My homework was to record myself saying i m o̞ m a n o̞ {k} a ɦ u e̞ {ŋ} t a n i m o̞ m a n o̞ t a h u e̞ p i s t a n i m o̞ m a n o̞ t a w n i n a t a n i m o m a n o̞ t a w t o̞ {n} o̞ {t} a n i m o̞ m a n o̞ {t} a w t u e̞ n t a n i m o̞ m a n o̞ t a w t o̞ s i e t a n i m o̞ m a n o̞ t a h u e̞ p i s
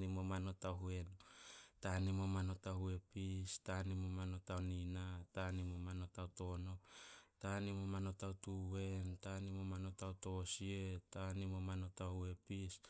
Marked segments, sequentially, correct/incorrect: incorrect, incorrect, correct, correct, correct

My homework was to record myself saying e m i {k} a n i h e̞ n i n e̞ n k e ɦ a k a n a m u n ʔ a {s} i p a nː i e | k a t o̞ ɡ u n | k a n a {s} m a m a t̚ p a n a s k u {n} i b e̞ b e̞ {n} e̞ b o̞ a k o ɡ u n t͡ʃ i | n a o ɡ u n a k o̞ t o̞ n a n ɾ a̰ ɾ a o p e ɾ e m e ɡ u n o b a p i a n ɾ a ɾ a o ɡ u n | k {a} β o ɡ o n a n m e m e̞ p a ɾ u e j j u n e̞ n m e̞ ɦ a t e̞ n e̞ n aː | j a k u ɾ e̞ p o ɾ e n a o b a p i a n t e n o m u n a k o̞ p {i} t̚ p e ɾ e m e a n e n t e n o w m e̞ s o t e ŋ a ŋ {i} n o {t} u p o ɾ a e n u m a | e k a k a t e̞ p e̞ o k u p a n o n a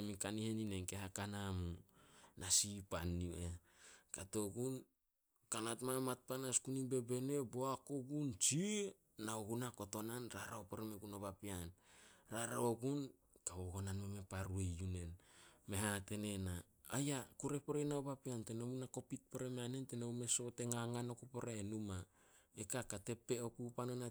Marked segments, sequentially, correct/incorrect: correct, correct, incorrect, correct, correct, correct, correct, incorrect, incorrect

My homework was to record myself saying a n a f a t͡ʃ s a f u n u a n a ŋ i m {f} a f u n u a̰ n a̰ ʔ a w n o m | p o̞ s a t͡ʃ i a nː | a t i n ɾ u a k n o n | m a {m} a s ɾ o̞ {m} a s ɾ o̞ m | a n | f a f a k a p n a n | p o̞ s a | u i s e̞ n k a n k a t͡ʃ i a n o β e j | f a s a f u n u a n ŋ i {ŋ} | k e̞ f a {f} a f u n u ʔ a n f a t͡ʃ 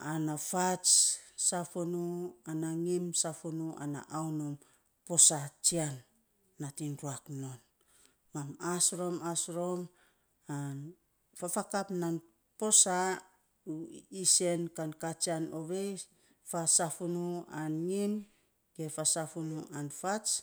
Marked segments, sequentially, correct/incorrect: incorrect, correct, correct, incorrect, incorrect

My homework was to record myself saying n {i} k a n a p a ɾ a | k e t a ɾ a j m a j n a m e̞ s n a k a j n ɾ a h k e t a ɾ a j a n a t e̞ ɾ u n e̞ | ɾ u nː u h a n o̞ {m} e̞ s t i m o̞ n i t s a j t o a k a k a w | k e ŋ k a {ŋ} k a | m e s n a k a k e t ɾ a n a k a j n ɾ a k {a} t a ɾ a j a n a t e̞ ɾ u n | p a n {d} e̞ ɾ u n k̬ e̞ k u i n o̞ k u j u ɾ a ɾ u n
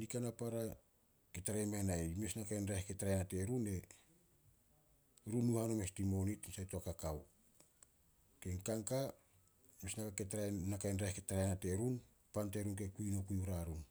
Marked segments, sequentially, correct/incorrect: correct, correct, correct, incorrect, incorrect

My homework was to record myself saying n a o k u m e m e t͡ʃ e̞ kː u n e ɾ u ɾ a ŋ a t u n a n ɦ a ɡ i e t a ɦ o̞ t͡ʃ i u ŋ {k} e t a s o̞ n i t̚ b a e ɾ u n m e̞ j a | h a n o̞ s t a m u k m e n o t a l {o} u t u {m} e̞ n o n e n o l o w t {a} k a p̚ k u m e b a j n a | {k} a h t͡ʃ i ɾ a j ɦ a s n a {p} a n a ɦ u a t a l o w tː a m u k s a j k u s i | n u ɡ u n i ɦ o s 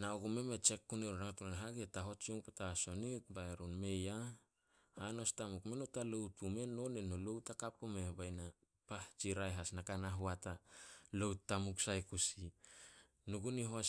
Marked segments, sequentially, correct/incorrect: incorrect, correct, correct, correct, incorrect, incorrect

